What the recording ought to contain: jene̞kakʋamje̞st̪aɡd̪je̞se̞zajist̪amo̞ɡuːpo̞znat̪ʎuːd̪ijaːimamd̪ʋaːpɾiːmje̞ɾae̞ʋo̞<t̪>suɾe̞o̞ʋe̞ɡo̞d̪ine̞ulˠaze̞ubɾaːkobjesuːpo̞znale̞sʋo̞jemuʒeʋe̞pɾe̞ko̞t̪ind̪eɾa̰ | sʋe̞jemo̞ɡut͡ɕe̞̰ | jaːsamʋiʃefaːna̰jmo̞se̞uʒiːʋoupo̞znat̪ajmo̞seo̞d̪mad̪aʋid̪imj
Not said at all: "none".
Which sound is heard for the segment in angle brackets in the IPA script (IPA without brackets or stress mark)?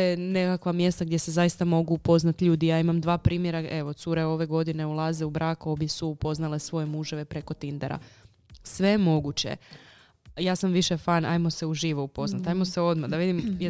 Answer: t̪